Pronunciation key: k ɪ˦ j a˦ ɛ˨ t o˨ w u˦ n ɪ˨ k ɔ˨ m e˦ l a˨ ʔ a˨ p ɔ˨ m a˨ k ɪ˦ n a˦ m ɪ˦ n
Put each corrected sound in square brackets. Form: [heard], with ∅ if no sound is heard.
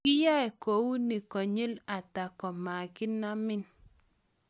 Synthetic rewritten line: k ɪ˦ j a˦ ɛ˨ [k] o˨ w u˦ n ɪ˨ k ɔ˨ [ɲ] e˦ l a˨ [t] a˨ [k] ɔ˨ m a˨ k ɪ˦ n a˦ m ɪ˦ n